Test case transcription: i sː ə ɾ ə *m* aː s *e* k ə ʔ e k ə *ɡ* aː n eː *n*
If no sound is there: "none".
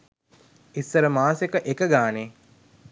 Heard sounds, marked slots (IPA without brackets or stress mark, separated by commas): m, e, ɡ, none